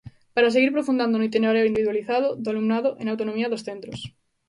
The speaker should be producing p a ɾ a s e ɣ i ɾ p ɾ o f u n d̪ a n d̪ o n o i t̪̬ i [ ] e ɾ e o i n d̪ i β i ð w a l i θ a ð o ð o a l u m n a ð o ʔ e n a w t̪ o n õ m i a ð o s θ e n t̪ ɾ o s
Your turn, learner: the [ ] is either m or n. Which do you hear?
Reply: n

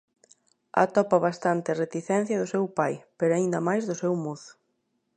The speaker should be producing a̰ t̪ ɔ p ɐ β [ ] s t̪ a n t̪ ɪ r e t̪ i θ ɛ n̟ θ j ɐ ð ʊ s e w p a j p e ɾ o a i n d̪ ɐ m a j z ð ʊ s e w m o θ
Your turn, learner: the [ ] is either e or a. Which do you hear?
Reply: a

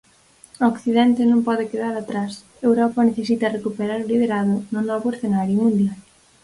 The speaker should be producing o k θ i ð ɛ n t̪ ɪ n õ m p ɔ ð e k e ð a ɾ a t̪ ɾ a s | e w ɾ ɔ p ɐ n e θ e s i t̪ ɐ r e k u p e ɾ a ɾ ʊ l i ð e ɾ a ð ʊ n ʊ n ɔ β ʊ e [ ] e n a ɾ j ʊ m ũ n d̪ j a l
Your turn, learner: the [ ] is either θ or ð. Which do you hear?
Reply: θ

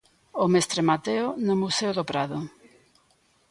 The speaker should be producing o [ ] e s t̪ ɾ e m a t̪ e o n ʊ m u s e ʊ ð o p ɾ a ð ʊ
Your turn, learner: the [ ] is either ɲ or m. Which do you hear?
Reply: m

